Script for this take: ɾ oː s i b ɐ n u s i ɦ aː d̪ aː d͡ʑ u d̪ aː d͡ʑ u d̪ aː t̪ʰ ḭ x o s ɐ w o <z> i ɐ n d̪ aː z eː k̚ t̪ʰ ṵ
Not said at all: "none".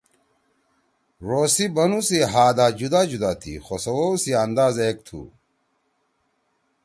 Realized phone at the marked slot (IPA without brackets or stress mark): s